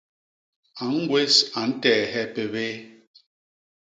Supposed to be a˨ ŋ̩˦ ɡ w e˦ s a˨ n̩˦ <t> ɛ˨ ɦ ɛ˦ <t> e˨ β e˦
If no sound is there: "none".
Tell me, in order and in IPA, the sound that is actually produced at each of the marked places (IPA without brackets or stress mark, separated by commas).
t, p